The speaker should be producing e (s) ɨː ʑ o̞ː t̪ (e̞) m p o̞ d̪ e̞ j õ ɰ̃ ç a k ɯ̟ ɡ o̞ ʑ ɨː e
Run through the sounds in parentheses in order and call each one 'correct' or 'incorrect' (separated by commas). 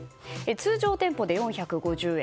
incorrect, incorrect